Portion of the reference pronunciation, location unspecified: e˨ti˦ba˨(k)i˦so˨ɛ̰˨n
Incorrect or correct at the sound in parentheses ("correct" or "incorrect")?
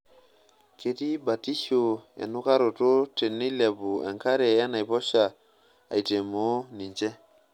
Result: incorrect